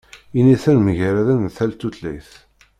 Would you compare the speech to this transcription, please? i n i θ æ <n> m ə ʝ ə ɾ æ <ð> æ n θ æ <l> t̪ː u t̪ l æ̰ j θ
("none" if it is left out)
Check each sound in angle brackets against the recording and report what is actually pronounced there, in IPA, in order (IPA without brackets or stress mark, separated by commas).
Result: n, ð, l